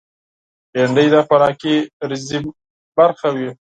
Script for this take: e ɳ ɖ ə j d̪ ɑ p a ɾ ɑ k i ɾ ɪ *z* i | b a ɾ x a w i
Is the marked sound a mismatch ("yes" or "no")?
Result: no